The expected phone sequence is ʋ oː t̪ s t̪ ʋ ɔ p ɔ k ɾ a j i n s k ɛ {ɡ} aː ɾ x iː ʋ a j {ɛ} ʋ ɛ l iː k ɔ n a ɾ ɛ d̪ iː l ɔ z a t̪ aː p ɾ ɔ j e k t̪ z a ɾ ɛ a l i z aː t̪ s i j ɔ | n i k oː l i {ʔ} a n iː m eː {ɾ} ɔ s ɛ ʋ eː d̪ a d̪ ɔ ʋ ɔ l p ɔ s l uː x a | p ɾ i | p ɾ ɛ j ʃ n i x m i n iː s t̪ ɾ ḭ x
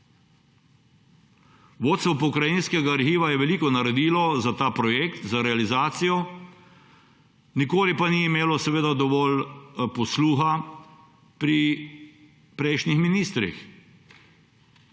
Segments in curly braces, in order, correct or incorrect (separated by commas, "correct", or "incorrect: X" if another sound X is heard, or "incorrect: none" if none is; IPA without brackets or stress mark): correct, correct, incorrect: p, incorrect: l